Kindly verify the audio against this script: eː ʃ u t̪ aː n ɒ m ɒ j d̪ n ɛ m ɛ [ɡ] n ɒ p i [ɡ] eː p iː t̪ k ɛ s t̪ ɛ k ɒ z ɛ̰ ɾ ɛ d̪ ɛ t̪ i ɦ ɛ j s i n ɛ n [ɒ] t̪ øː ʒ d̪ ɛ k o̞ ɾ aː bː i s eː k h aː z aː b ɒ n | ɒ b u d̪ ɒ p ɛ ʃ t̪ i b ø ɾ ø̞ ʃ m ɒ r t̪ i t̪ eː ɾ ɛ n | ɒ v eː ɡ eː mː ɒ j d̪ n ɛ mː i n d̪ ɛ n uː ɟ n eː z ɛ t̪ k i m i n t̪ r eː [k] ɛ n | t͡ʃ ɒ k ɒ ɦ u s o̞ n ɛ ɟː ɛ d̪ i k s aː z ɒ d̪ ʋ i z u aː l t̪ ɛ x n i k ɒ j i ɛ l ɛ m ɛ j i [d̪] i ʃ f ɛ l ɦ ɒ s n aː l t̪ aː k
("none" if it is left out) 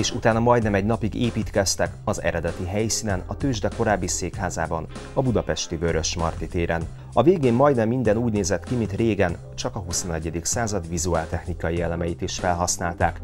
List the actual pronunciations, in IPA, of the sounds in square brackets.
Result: ɟ, ɡ, ɒ, ɡ, t̪

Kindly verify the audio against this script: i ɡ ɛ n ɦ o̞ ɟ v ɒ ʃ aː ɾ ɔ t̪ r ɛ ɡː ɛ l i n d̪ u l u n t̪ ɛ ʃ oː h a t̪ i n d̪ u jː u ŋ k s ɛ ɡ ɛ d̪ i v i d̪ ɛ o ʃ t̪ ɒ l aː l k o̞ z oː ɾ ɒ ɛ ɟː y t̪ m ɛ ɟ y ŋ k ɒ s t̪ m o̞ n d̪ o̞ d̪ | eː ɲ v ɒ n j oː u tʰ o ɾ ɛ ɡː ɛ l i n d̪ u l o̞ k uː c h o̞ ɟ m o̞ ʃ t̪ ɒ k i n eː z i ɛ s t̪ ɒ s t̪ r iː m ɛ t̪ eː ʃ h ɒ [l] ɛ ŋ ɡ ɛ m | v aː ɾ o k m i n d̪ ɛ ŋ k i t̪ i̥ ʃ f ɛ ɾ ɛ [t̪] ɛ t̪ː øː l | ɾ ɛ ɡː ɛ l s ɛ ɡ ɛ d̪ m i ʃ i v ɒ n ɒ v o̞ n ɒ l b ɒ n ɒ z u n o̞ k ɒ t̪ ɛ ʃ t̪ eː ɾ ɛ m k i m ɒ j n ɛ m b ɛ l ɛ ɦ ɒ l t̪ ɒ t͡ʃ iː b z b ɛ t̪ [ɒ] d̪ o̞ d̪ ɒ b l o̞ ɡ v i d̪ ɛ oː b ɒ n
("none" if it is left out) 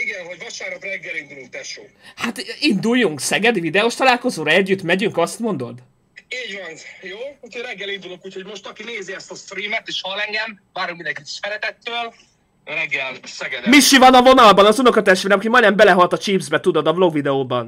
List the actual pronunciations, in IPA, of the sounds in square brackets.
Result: l, t̪, u

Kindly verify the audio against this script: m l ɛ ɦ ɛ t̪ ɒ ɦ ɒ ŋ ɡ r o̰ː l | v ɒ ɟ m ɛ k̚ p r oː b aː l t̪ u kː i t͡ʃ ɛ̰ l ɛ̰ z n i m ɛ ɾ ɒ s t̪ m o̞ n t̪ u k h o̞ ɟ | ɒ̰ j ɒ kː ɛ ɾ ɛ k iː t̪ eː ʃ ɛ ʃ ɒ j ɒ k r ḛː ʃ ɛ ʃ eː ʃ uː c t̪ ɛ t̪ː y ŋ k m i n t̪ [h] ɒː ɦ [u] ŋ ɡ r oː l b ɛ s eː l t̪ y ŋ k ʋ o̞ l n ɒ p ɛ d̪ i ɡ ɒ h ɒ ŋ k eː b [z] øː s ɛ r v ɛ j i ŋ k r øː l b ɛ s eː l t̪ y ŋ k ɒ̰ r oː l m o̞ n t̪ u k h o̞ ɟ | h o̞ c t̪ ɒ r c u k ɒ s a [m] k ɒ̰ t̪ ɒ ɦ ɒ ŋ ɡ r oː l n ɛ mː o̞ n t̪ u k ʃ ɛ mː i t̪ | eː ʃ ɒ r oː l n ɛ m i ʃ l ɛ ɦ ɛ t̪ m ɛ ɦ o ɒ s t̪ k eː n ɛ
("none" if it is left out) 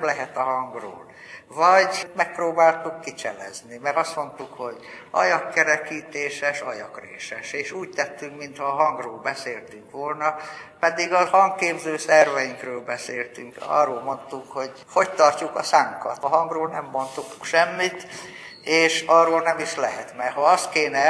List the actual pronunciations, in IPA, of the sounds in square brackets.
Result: h, ɒ, z, ŋ

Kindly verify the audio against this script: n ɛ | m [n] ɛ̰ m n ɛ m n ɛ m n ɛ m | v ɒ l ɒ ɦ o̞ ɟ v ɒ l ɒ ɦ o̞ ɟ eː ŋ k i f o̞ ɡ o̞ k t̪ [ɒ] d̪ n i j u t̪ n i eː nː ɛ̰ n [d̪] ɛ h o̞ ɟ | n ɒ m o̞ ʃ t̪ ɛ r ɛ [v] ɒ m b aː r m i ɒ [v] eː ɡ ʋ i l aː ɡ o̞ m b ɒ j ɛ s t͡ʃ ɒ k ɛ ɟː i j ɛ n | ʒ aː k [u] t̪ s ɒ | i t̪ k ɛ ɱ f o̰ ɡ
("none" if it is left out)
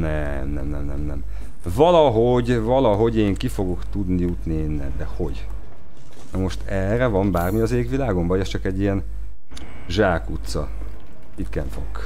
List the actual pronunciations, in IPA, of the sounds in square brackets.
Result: n, u, d̪, v, z, u

